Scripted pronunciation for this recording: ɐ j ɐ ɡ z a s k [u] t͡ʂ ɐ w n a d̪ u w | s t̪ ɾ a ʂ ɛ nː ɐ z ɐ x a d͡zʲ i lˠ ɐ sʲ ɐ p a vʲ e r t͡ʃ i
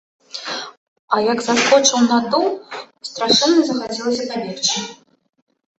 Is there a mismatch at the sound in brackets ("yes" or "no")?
yes